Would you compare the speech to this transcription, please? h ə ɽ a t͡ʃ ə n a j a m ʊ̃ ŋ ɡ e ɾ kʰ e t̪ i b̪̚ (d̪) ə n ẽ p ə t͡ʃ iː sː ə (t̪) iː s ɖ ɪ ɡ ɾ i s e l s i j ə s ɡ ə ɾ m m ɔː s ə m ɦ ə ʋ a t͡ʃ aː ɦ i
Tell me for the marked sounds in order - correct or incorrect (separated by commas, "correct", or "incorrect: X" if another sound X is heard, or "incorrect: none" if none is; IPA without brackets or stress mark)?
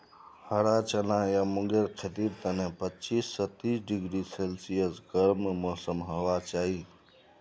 incorrect: t̪, correct